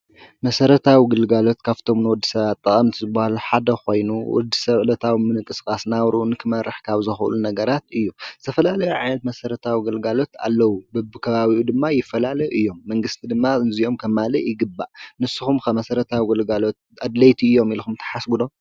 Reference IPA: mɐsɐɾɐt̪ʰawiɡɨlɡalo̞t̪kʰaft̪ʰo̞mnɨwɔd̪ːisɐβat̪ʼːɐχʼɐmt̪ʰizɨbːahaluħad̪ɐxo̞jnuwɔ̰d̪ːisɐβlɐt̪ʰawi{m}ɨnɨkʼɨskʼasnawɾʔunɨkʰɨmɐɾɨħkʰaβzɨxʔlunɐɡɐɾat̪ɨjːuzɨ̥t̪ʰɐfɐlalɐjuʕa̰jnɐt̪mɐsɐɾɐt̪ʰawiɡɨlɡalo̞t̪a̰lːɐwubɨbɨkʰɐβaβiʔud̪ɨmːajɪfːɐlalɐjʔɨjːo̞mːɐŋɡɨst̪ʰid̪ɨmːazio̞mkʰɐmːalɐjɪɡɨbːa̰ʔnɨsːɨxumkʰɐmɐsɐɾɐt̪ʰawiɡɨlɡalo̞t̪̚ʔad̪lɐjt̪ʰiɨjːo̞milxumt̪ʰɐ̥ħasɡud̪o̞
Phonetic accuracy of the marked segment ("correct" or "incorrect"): correct